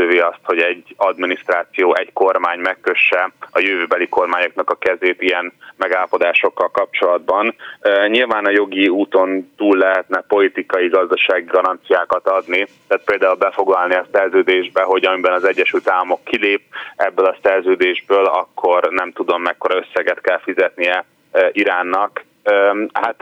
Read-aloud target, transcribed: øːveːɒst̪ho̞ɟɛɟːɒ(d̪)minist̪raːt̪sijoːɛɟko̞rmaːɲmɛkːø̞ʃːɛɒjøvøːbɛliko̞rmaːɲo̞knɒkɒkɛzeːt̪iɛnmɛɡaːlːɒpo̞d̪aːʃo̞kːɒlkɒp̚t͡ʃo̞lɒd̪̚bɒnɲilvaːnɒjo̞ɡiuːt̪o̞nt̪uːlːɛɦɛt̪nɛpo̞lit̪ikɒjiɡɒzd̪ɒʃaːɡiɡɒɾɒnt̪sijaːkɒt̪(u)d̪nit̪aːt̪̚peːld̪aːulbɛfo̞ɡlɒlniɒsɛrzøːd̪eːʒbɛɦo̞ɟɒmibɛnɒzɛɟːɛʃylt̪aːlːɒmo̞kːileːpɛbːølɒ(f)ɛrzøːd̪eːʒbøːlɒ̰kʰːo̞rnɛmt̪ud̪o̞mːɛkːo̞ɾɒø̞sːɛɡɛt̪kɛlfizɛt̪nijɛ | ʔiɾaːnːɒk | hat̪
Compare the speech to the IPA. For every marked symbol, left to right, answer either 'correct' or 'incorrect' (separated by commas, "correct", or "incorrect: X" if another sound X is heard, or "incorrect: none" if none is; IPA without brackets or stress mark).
correct, incorrect: ɒ, incorrect: s